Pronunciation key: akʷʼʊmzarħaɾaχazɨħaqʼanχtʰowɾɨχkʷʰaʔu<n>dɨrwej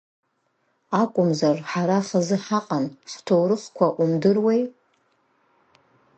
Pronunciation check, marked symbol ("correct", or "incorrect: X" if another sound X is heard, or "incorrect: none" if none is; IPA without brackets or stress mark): incorrect: m